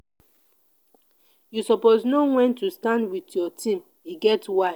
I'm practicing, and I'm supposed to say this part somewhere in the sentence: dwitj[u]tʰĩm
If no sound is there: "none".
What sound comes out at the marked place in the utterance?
ɔ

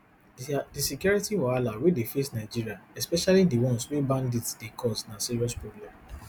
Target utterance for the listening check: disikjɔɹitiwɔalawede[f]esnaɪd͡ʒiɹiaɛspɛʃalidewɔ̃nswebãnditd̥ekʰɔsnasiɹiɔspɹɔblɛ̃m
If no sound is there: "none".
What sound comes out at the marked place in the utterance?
f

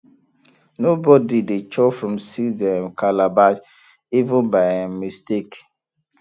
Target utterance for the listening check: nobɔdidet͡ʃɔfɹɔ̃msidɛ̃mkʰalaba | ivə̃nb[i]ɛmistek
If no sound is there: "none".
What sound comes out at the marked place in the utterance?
a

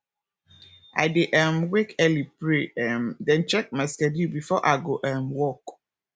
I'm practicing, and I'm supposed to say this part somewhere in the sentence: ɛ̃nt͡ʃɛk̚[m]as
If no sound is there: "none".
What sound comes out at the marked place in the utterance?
m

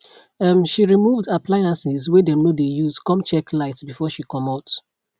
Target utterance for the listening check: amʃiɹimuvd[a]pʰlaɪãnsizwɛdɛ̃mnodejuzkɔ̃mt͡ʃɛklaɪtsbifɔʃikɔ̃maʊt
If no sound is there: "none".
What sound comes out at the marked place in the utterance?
a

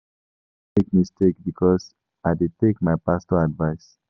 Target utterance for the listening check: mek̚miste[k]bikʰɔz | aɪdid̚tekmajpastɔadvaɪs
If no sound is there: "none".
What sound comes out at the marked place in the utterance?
k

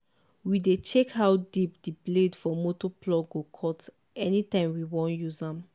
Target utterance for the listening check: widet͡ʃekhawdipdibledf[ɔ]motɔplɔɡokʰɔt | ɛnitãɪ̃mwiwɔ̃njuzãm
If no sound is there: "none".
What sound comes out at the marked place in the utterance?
ɔ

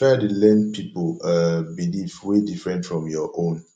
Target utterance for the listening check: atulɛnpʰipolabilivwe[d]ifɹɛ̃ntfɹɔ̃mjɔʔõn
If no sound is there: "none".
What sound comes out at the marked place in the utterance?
d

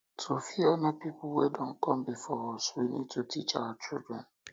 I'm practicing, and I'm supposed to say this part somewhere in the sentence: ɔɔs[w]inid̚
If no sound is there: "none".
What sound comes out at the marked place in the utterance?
w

